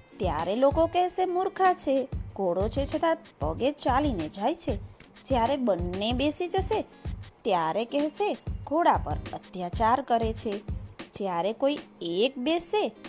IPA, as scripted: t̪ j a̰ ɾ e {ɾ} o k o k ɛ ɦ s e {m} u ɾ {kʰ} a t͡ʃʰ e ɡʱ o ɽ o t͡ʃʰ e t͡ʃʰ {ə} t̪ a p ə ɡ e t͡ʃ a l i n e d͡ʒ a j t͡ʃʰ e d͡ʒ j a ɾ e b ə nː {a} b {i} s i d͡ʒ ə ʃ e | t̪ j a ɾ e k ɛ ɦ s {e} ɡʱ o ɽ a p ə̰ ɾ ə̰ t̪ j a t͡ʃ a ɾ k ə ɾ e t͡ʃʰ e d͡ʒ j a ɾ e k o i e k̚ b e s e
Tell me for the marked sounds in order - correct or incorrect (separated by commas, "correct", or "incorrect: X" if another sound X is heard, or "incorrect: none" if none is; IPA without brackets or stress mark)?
incorrect: l, correct, correct, correct, incorrect: e, incorrect: e, correct